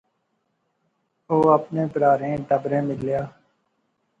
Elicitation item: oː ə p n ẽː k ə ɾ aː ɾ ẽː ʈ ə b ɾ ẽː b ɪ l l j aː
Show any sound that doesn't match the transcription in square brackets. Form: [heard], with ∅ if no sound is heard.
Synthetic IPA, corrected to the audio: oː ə p n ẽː [p] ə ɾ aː ɾ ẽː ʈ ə b ɾ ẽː [m] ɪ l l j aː